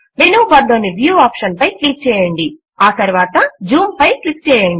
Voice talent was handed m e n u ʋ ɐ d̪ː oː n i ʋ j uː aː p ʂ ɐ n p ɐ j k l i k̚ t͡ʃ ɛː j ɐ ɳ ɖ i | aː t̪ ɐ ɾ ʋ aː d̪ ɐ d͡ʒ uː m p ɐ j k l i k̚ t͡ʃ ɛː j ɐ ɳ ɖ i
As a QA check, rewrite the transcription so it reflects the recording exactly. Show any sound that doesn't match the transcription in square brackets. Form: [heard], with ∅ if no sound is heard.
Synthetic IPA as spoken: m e n u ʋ ɐ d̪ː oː n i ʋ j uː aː p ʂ ɐ n p ɐ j k l i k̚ t͡ʃ ɛː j ɐ ɳ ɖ i | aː t̪ ɐ ɾ ʋ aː [t̪] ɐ d͡ʒ uː m p ɐ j k l i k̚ t͡ʃ ɛː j ɐ ɳ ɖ i